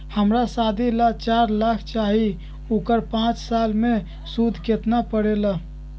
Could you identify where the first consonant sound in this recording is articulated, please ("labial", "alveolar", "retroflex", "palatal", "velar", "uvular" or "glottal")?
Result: glottal